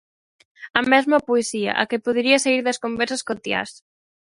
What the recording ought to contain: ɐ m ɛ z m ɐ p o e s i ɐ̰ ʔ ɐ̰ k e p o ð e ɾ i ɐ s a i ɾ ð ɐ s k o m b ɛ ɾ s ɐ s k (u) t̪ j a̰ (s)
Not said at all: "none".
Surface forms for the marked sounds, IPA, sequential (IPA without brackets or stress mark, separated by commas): o, s